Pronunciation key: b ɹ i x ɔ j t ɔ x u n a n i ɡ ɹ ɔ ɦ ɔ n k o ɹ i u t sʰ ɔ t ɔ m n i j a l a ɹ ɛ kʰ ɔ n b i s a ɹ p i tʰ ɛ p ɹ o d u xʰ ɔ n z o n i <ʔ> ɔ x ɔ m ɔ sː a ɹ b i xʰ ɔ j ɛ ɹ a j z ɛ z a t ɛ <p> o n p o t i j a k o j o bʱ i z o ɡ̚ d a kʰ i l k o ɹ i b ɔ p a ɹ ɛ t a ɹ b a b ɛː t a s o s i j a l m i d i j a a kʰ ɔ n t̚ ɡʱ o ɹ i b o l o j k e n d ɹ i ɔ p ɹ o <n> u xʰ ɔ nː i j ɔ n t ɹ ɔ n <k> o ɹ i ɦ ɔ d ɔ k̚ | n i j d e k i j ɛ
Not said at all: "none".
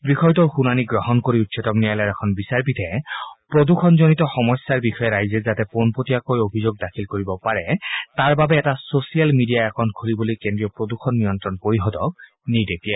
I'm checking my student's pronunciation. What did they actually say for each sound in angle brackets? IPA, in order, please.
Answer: t, p, d, p

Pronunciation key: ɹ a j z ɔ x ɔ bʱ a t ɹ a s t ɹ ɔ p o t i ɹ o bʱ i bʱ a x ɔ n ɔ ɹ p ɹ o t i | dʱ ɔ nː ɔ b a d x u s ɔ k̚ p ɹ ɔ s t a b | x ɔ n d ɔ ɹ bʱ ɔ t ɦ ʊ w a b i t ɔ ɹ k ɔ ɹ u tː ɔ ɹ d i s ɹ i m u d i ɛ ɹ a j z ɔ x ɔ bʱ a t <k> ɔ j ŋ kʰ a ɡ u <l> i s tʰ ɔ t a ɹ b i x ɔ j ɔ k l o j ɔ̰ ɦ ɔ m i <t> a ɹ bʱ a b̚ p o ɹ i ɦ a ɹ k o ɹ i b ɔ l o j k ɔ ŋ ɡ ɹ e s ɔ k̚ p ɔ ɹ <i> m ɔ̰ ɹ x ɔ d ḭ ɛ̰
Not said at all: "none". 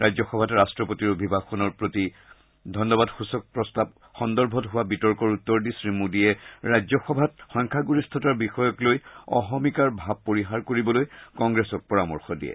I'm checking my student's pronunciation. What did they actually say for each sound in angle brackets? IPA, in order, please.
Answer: x, ɹ, k, a

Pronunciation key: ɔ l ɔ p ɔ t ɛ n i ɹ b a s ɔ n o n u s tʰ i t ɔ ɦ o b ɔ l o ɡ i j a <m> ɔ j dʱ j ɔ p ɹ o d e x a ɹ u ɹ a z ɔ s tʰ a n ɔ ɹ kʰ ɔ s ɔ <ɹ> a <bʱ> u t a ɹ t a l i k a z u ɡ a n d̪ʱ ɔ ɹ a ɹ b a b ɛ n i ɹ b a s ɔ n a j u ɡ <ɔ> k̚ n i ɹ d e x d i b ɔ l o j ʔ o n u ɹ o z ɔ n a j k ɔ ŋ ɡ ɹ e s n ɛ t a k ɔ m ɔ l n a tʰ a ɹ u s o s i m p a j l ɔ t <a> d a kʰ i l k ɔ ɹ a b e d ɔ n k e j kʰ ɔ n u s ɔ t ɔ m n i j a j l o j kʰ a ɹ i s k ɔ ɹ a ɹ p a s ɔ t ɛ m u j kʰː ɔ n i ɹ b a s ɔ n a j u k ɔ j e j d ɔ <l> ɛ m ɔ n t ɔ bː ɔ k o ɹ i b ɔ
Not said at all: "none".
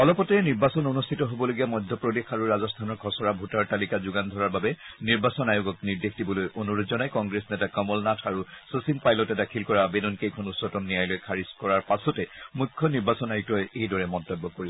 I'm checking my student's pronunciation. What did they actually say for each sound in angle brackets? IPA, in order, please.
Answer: m, ɹ, bʱ, ɔ, ɛ, ɹ

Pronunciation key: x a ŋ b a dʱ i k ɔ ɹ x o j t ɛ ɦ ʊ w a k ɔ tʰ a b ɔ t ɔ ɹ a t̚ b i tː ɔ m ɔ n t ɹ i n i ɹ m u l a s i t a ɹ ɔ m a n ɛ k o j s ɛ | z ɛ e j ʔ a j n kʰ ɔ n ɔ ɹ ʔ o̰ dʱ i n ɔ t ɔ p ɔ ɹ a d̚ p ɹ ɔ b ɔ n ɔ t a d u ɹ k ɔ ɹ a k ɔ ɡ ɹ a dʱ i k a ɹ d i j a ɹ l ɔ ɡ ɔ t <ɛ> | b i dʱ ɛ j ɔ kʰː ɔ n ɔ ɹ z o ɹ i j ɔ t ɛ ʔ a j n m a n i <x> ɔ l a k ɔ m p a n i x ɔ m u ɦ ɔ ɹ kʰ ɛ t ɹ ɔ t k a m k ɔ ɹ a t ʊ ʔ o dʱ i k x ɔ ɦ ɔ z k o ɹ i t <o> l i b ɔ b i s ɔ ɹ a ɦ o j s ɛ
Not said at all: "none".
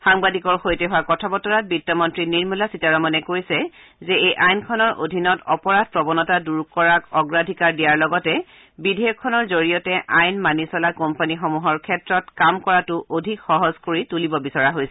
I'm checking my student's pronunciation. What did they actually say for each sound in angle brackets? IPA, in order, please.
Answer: ɛ, s, u

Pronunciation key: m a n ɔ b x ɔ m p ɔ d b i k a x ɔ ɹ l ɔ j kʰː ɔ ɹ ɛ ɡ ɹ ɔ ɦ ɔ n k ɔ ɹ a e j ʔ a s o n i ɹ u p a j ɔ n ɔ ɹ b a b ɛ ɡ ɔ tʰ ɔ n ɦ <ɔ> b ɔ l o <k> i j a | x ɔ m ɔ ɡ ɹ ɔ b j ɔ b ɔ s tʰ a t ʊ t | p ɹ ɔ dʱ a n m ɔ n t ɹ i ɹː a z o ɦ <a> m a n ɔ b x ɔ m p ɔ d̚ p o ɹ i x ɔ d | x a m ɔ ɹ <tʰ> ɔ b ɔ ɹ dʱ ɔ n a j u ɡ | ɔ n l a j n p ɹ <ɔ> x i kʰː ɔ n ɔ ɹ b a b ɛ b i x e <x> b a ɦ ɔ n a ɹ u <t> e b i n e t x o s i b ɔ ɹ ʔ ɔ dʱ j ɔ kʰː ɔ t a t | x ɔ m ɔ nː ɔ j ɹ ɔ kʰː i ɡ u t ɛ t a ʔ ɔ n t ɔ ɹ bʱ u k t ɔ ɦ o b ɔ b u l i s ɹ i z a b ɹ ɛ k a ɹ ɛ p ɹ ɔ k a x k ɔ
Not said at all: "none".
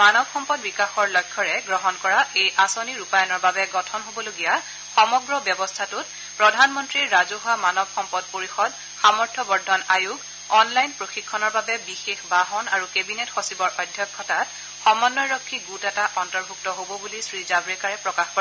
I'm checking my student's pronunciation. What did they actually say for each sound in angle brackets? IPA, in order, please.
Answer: o, ɡ, a, tʰ, o, x, k

